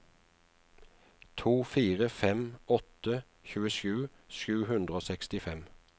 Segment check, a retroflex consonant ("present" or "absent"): absent